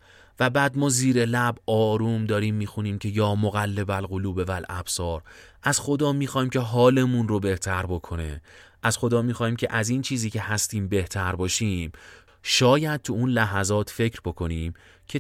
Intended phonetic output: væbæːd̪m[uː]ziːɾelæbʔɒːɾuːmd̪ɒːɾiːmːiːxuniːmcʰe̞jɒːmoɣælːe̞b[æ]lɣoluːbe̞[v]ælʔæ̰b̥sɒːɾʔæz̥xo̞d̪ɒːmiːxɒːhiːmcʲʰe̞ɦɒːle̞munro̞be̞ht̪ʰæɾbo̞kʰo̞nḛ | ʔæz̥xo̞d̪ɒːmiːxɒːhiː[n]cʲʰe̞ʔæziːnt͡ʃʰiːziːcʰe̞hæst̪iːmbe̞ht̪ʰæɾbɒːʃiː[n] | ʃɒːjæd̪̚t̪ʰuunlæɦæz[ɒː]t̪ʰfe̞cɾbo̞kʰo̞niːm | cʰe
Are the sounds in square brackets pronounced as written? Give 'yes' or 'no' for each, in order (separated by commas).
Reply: no, yes, yes, no, no, yes